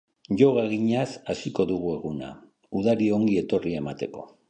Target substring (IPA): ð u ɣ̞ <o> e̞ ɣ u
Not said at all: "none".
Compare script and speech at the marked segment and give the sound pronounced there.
u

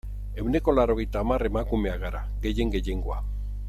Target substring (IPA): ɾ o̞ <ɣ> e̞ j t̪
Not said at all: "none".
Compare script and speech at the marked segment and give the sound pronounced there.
ɣ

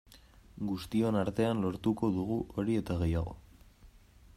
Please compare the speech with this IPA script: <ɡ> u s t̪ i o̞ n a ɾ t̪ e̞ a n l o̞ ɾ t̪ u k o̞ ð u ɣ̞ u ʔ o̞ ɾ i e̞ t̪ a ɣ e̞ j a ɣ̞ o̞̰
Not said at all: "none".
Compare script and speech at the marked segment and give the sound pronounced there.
ɡ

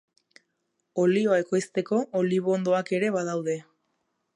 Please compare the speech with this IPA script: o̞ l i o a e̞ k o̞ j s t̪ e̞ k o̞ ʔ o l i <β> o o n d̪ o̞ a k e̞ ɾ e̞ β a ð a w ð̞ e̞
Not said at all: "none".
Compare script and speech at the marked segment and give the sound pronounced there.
β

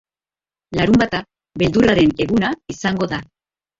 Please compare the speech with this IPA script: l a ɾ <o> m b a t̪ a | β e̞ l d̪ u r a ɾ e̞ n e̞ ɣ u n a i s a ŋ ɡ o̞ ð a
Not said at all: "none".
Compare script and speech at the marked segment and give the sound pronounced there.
u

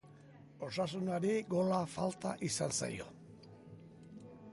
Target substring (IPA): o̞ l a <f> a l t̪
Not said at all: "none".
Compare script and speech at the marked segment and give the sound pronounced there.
f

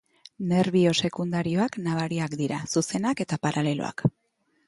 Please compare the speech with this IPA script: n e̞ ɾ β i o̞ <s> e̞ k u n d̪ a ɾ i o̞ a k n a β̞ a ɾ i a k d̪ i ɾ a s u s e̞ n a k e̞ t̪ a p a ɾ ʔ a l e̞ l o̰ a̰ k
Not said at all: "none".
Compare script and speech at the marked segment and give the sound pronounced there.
s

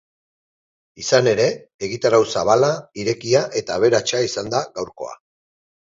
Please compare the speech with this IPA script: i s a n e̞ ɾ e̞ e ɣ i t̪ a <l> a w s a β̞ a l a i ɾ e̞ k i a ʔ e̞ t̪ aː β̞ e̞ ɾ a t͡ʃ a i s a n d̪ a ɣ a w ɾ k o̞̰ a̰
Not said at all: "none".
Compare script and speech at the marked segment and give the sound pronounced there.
ɾ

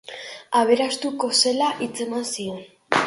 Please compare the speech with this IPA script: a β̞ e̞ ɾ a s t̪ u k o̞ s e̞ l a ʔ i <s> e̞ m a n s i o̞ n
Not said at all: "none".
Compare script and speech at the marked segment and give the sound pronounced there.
t͡s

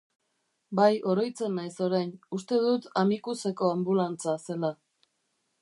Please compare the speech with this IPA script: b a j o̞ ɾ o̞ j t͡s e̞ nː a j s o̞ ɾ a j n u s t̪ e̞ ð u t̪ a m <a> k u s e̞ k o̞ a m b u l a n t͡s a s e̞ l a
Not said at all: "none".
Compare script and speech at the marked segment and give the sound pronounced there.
i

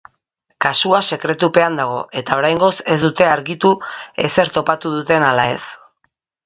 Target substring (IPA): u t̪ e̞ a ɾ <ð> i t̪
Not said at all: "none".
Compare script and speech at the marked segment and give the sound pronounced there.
ɣ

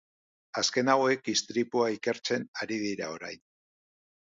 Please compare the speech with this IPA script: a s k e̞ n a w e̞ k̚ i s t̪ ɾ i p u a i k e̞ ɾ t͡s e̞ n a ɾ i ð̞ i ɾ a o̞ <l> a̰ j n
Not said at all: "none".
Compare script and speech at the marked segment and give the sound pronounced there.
ɾ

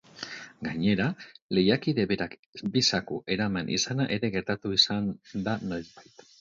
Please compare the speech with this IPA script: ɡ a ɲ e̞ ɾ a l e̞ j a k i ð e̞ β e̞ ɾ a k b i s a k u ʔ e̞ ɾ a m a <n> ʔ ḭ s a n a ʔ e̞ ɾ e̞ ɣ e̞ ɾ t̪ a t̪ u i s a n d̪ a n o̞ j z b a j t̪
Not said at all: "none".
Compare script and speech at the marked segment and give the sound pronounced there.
n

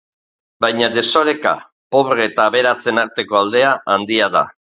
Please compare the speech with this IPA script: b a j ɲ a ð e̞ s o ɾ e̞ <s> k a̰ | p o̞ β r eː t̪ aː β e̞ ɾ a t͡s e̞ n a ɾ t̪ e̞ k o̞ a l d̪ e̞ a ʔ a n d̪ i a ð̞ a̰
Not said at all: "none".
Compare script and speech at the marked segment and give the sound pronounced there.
none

